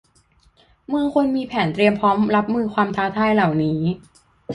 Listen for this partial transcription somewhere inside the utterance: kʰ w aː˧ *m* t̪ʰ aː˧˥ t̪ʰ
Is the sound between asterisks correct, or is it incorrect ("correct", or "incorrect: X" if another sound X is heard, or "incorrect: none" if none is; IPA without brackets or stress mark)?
correct